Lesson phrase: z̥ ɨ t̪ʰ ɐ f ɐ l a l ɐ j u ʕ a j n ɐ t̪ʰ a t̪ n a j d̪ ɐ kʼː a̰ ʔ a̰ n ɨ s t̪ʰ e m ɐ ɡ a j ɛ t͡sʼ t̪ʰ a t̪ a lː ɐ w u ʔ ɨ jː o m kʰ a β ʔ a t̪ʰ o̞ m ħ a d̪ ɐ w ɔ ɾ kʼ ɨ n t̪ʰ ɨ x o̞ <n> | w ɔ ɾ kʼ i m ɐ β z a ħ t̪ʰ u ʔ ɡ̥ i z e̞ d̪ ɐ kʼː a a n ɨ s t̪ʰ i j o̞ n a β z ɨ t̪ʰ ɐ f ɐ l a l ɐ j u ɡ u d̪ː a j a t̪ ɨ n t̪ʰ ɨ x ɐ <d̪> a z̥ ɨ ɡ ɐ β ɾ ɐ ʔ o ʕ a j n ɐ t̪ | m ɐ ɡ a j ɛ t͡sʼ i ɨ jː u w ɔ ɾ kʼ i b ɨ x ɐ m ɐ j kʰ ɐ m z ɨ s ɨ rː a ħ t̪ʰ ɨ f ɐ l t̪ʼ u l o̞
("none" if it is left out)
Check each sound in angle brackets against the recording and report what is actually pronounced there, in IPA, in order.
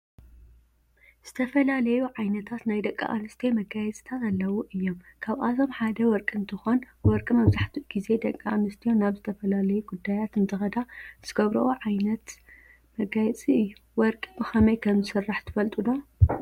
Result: n, d̪

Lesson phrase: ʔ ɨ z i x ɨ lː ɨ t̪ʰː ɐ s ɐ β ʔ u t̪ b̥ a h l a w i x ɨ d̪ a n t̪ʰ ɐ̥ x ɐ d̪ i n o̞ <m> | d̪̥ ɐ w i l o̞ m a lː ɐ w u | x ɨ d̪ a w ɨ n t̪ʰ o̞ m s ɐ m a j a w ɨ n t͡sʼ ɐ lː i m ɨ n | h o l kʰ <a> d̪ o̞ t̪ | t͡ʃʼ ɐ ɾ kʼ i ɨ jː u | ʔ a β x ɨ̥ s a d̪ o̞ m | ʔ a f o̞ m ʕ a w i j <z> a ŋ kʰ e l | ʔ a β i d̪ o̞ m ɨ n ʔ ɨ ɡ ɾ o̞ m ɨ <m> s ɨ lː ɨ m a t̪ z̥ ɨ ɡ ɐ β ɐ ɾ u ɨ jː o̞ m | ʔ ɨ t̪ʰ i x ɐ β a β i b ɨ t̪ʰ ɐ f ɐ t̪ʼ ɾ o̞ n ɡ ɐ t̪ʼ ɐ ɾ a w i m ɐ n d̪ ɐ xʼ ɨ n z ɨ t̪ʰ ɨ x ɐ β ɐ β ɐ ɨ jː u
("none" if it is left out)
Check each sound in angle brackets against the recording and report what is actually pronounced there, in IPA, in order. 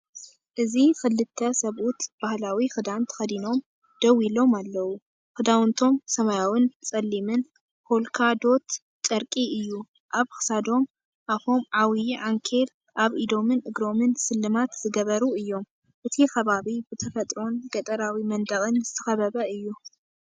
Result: m, a, ʕ, n

